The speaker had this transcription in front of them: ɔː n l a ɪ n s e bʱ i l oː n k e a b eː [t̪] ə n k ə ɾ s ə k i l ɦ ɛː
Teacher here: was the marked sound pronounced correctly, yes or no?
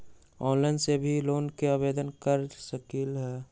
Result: no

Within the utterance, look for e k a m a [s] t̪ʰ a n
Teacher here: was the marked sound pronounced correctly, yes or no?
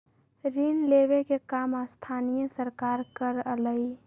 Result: yes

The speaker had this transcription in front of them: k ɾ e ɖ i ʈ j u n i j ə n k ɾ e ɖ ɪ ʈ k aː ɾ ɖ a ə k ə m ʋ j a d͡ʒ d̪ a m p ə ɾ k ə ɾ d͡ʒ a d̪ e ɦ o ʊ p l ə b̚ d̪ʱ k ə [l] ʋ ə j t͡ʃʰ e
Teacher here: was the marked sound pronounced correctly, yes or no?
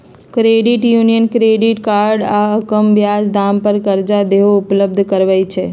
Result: no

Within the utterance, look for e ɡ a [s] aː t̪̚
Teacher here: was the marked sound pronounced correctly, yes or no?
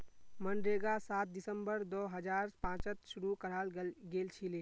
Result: yes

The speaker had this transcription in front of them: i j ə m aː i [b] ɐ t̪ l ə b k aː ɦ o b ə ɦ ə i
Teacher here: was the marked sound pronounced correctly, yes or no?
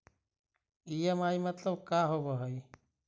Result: no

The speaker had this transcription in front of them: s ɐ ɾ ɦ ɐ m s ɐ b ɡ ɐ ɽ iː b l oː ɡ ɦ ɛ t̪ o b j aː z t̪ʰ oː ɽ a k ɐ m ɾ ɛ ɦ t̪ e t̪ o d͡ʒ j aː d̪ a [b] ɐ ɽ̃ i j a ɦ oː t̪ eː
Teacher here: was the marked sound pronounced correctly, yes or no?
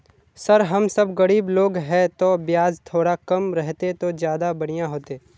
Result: yes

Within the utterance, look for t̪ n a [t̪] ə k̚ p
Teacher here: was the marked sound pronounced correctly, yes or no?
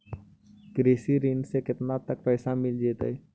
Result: yes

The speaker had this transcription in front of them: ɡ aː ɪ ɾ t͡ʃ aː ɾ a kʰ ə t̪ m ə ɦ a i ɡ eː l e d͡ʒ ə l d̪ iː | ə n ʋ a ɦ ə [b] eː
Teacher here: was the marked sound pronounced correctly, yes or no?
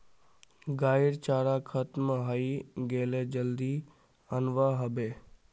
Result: yes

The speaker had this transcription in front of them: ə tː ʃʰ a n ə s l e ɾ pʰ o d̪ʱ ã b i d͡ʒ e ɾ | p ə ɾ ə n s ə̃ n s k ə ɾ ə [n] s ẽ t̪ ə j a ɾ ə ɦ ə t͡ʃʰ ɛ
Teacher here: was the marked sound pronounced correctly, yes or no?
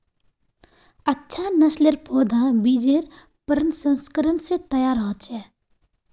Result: yes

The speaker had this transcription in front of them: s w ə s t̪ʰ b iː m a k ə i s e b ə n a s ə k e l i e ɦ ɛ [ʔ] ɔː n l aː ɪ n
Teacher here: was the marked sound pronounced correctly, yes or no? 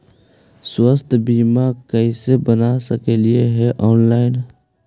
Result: yes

